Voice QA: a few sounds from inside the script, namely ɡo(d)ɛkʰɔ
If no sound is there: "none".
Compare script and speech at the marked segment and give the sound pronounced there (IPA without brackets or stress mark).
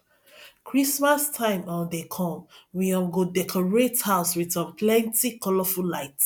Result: d